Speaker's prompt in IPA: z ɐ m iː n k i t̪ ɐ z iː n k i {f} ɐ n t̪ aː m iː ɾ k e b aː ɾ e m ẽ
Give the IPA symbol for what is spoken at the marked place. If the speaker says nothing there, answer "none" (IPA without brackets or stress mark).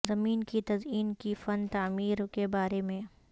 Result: f